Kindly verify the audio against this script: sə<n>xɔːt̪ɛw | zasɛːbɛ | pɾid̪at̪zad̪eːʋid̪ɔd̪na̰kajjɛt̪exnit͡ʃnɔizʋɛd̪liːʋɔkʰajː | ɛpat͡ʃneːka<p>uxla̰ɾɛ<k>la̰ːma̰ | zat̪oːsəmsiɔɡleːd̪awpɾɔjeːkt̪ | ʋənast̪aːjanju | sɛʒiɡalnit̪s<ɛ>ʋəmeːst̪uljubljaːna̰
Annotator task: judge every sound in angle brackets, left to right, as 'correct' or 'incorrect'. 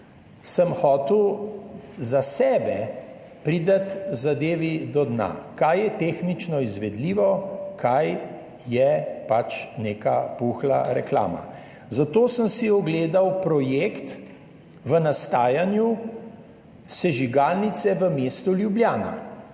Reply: incorrect, correct, correct, correct

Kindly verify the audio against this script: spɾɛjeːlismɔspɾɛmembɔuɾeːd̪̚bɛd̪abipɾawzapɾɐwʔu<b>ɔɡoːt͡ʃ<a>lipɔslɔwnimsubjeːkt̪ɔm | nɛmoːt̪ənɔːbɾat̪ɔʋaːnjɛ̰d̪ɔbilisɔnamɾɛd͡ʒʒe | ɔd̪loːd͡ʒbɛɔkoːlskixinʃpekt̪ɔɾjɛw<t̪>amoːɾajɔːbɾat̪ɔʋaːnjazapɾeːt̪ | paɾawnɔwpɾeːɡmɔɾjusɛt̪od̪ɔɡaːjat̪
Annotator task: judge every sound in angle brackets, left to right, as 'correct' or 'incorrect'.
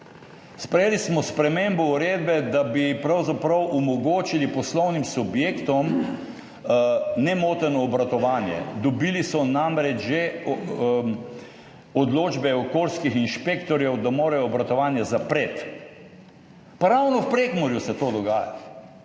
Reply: incorrect, incorrect, incorrect

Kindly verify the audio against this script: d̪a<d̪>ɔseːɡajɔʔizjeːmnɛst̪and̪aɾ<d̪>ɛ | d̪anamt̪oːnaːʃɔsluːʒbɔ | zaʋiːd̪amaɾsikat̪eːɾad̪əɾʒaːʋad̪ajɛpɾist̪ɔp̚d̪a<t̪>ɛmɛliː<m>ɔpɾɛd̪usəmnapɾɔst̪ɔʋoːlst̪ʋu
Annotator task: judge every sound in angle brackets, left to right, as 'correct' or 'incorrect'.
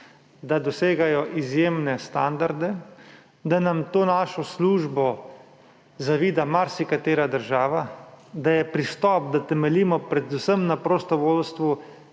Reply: correct, correct, correct, correct

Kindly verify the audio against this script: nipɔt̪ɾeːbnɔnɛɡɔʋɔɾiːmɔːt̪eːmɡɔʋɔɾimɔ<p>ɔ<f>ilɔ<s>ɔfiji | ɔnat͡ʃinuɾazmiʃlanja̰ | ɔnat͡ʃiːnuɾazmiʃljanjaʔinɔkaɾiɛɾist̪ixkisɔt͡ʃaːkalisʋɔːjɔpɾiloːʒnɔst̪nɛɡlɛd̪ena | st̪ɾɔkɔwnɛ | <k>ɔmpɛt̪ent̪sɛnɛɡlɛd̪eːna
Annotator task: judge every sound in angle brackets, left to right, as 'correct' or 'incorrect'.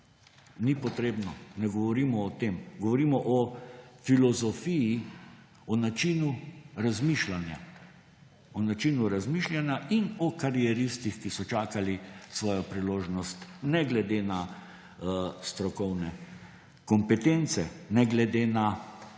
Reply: incorrect, correct, incorrect, correct

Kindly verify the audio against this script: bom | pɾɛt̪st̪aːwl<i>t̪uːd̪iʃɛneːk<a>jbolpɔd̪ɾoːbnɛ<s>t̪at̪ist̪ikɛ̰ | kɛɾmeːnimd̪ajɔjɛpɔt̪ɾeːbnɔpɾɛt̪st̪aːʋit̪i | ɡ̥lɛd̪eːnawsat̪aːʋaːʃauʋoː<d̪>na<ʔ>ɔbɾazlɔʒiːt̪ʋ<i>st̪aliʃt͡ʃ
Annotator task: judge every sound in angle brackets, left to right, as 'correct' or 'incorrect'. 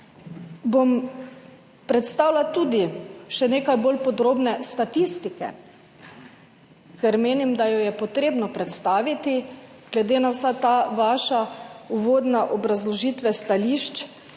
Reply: incorrect, correct, correct, correct, correct, incorrect

